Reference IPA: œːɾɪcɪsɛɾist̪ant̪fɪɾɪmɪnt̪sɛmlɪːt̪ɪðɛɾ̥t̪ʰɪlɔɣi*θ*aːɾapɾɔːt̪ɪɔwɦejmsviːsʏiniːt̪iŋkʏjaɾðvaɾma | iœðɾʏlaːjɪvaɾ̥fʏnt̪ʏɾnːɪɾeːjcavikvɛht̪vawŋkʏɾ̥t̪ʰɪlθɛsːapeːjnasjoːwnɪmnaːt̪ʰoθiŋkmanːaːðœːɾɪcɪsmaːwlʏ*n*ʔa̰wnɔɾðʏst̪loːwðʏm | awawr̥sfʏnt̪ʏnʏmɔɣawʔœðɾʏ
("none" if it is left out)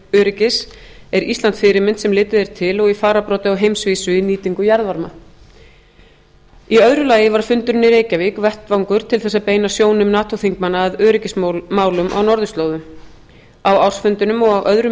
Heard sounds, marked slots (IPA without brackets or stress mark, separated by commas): f, m